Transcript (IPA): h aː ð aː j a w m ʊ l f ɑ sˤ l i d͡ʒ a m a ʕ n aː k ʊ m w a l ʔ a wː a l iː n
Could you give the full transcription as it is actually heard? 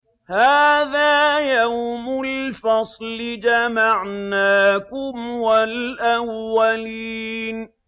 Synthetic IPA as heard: h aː ð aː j a w m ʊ l f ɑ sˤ l ɪ d͡ʒ a m a ʕ n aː k ʊ m w a l ʔ a wː a l iː n